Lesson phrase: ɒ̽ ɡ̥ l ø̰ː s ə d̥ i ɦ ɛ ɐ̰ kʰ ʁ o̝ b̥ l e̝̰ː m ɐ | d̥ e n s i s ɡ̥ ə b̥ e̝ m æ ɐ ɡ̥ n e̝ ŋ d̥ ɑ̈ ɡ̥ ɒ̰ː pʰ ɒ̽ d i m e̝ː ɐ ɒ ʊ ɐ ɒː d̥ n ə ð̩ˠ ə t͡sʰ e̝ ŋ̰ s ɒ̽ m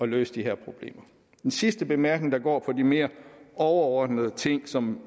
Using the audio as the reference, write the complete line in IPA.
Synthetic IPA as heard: ɒ̽ l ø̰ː s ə d̥ i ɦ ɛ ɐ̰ pʰ ʁ o̝ b̥ l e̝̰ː m ɐ | d̥ e n s i s d̥ ə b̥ e̝ m æ ɐ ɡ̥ n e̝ ŋ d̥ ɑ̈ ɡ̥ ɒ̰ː pʰ ɒ̽ d i m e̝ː ɐ ɒ ʊ ɐ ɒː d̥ n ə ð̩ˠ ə t͡sʰ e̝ ŋ̰ s ɒ̽ m